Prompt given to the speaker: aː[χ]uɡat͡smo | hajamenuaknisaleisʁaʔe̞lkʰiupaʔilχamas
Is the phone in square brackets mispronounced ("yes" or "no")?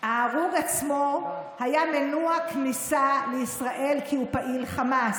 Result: yes